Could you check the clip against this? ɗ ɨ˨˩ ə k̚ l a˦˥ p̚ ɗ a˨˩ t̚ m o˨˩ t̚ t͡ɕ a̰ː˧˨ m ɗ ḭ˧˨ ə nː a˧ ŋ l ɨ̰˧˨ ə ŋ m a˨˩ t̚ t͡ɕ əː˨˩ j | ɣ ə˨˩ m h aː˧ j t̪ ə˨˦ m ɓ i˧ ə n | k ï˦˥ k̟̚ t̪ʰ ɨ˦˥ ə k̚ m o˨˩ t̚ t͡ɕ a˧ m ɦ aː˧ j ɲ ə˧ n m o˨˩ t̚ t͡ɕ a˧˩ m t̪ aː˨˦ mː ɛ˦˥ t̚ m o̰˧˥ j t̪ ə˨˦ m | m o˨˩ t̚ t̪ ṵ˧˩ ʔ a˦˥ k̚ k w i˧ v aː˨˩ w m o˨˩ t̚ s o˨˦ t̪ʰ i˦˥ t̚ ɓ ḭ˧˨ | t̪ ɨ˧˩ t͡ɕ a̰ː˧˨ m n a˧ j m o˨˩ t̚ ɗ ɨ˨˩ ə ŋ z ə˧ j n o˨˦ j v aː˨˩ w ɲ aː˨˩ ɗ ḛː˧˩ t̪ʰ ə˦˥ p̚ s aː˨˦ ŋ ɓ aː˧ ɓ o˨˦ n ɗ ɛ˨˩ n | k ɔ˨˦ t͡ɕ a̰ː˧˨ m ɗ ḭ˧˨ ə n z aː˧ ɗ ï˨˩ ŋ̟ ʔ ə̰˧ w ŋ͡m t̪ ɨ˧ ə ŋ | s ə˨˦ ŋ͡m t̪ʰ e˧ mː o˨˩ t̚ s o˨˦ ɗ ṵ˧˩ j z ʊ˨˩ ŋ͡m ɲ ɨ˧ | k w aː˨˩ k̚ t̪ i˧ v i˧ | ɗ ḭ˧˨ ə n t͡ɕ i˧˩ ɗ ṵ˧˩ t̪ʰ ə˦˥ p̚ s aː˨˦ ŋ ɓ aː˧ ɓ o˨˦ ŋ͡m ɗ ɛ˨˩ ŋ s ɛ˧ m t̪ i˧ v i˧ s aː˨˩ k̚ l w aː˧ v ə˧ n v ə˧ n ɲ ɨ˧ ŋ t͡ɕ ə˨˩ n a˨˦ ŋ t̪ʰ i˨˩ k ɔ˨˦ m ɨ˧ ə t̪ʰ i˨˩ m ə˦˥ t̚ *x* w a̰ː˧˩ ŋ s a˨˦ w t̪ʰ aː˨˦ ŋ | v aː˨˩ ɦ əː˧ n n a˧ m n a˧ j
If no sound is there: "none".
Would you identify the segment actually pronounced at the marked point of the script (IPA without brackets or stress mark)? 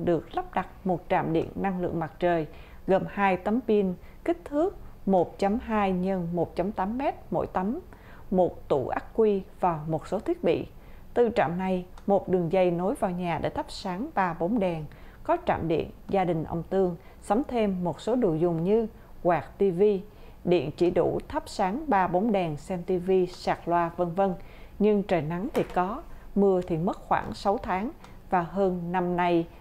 x